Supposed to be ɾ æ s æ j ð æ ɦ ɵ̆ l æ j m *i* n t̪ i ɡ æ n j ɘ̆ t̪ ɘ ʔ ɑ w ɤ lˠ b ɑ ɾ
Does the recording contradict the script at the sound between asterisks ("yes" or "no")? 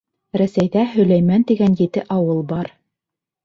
yes